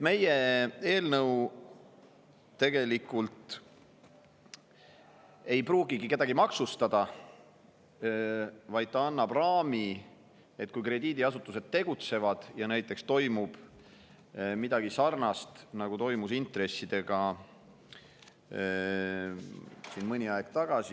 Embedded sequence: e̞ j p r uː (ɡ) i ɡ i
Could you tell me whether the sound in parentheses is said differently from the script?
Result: no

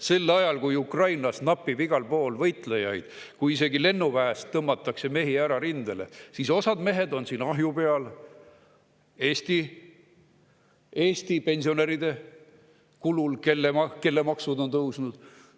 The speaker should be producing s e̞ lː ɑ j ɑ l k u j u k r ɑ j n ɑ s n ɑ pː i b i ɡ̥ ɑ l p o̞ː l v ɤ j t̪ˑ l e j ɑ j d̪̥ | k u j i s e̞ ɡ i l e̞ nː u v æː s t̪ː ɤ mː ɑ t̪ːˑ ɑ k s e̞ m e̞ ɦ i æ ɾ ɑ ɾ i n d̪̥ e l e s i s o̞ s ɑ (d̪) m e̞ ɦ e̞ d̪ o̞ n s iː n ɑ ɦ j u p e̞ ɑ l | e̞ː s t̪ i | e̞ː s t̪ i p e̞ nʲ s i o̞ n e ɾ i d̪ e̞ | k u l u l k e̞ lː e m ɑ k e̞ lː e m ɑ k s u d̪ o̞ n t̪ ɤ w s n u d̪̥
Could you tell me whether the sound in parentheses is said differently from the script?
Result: no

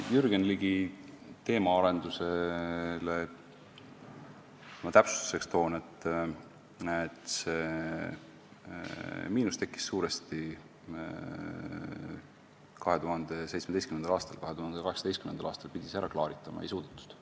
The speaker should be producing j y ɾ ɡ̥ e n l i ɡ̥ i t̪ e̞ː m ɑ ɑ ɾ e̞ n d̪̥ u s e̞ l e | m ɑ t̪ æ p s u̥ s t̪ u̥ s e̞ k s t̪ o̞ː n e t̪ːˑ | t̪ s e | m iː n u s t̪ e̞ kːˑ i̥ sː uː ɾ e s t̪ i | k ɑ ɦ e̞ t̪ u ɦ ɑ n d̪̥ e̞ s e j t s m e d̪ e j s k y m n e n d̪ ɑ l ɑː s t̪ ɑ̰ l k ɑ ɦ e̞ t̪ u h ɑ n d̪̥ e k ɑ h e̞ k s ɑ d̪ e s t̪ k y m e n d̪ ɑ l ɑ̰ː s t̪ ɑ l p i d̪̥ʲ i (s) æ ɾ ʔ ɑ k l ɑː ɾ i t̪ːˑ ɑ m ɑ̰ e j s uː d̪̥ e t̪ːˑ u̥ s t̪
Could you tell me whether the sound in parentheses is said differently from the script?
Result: no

